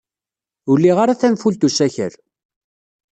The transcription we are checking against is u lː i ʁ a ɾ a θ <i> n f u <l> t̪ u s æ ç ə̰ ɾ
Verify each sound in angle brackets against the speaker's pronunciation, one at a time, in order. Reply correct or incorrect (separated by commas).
incorrect, correct